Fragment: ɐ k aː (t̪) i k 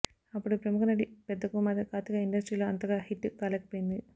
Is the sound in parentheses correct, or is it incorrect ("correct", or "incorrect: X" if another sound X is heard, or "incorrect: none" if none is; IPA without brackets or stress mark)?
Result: correct